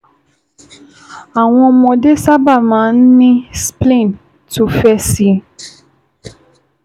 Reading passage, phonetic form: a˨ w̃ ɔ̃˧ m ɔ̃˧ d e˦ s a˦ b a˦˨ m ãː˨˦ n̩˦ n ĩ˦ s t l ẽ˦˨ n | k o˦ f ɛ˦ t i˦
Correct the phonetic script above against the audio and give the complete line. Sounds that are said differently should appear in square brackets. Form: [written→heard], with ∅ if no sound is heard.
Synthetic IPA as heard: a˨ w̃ ɔ̃˧ m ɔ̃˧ d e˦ s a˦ b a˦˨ m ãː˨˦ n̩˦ n ĩ˦ s [t→p] l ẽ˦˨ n | [k→t] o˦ f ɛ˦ [t→s] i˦